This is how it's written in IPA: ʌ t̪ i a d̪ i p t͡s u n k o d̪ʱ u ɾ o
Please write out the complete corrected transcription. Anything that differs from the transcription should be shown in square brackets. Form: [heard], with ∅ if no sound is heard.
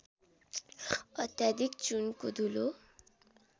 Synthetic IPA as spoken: ʌ t̪ [j] a d̪ i [k] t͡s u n k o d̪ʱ u [l] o